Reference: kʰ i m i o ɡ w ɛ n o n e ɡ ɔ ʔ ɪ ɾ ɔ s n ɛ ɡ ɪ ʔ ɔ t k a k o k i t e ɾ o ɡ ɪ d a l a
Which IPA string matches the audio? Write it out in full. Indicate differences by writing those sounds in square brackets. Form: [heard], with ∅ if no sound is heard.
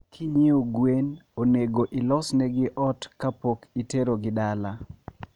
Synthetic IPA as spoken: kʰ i [ɲ] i o ɡ w [e] n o n e ɡ [o] ʔ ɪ [l] ɔ s n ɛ ɡ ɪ ʔ ɔ t k a [p] o k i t e ɾ o ɡ ɪ d a l a